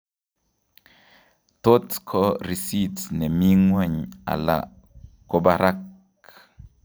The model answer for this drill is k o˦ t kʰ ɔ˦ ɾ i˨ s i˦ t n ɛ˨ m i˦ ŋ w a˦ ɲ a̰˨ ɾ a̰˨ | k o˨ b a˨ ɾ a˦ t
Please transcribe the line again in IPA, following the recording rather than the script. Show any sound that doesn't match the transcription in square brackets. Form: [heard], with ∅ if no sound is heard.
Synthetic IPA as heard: [t] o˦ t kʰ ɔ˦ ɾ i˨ s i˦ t n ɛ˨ m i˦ ŋ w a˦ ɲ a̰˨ [l] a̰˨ | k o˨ b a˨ ɾ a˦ [k]